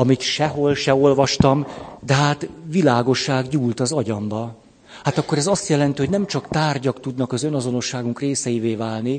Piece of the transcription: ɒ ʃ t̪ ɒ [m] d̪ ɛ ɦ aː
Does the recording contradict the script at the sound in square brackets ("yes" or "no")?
no